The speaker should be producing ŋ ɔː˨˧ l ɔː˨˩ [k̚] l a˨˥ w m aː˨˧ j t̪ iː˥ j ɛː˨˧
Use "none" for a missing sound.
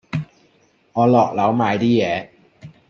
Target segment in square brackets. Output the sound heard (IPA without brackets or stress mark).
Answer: k̚